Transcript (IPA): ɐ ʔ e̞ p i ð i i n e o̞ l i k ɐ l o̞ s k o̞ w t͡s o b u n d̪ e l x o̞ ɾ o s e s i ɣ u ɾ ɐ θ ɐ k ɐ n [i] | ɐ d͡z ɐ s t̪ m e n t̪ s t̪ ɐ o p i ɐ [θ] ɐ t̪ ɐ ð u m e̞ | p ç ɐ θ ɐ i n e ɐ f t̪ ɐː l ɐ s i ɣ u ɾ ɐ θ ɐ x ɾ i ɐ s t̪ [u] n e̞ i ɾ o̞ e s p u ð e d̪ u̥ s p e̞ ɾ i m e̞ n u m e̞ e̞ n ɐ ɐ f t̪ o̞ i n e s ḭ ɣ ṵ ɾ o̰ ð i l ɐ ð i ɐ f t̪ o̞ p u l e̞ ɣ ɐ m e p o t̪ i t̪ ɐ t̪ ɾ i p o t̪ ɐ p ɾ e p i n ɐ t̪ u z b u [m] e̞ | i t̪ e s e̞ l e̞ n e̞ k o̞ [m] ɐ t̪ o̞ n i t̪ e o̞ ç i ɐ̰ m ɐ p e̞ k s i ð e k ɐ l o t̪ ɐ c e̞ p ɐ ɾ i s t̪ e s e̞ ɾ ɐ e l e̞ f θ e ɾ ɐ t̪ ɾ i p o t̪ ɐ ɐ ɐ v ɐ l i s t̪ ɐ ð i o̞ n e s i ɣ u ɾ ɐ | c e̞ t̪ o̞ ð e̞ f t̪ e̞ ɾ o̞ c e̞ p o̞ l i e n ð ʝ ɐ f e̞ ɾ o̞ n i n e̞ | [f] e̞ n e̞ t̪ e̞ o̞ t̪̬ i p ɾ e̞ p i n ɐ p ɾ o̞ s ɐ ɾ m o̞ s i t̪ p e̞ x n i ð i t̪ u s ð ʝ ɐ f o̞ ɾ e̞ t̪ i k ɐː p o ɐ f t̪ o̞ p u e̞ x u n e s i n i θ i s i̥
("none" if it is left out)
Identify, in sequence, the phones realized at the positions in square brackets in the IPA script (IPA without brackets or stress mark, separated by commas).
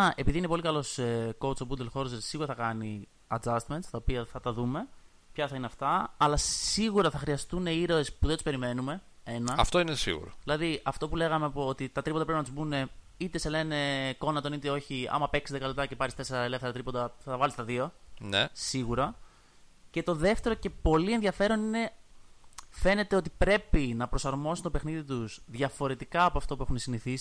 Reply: i, θ, u, n, n, f